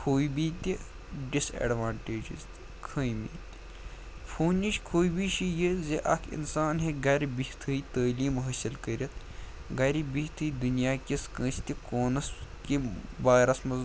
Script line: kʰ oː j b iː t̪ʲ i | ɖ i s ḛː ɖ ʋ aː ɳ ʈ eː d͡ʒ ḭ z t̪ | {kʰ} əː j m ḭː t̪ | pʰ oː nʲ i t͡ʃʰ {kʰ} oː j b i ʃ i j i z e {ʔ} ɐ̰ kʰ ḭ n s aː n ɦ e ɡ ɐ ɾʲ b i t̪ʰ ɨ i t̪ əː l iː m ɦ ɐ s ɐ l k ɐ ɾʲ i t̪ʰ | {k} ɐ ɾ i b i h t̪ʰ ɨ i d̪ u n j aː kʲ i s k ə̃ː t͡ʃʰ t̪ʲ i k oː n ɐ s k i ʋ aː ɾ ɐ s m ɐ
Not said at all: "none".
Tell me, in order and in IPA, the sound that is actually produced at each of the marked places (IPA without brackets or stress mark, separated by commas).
kʰ, kʰ, ʔ, ɡ